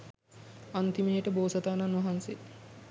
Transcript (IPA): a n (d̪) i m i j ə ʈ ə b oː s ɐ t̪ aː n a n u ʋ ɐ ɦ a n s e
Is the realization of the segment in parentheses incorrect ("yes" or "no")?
yes